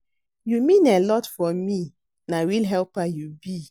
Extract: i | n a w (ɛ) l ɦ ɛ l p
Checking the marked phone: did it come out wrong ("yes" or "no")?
yes